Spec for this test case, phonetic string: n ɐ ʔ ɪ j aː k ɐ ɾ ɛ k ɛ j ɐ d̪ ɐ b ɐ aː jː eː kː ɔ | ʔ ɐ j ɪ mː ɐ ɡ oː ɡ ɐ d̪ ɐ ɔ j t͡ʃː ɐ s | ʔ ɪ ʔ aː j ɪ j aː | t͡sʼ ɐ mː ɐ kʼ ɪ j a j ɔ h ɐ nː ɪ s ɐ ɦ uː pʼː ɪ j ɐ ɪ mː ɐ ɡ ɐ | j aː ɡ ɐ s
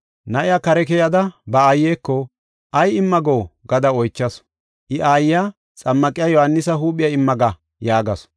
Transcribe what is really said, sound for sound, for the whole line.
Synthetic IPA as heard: n ɐ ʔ ɪ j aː k ɐ ɾ ɛ k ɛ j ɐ d̪ ɐ b ɐ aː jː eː kː ɔ | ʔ ɐ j ɪ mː ɐ ɡ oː ɡ ɐ d̪ ɐ ɔ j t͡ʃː ɐ s | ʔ ɪ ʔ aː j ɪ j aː | t͡sʼ ɐ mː ɐ kʼ ɪ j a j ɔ h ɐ nː ɪ s ɐ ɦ uː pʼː ɪ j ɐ ɪ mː ɐ ɡ ɐ | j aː ɡ ɐ s